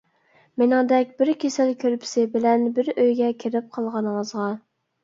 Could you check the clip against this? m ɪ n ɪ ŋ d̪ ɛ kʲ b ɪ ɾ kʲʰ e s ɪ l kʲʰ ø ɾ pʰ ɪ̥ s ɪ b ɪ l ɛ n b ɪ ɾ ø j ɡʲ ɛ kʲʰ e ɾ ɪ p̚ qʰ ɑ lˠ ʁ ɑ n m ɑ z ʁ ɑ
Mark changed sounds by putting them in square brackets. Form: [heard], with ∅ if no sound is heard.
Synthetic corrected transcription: m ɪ n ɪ ŋ d̪ ɛ kʲ b ɪ ɾ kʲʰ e s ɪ l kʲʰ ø ɾ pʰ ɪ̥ s ɪ b ɪ l ɛ n b ɪ ɾ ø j ɡʲ ɛ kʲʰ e ɾ ɪ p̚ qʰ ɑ lˠ ʁ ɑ n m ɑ z ʁ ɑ